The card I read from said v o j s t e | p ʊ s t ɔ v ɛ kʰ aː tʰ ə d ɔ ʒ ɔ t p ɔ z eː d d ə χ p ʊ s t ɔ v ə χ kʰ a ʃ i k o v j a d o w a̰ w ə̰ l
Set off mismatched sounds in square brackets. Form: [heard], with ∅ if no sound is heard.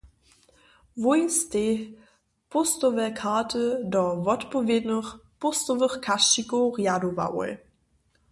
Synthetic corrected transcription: v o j s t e | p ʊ s t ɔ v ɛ kʰ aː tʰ ə d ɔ [v] ɔ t p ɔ [v] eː d [n] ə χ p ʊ s t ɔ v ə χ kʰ a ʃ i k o [ʁ] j a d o [v] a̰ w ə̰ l